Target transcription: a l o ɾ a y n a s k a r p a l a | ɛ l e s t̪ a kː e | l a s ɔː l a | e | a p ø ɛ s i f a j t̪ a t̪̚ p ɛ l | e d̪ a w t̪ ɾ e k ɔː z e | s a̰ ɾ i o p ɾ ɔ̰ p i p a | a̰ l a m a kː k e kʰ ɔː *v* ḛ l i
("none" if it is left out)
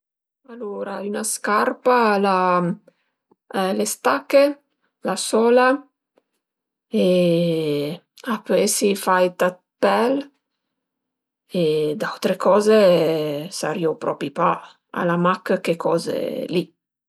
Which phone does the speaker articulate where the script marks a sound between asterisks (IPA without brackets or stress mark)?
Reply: z